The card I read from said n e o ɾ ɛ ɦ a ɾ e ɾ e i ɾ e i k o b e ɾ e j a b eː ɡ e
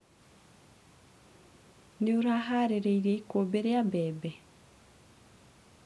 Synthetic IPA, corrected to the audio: n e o ɾ a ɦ a ɾ e ɾ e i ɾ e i k o b e ɾ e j a b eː b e